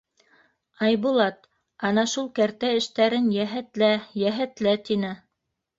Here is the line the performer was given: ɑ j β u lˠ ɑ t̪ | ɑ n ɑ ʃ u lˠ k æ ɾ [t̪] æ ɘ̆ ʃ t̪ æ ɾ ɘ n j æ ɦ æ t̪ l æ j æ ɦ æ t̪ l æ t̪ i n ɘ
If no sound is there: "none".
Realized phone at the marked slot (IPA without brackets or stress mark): t̪